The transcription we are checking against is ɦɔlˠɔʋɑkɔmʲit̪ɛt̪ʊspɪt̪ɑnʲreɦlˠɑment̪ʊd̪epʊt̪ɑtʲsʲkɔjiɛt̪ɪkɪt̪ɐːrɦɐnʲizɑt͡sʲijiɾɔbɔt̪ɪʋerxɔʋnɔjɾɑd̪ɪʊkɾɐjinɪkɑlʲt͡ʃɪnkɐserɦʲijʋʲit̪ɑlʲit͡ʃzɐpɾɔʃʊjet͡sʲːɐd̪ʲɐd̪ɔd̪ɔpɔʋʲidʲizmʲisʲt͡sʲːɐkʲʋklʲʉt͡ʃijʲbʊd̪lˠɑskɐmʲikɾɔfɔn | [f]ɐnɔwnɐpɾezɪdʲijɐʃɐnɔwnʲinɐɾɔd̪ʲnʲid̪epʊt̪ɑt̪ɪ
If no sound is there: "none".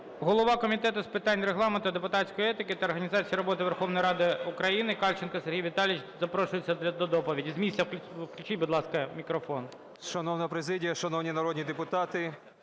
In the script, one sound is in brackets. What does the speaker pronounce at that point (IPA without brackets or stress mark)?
ʃ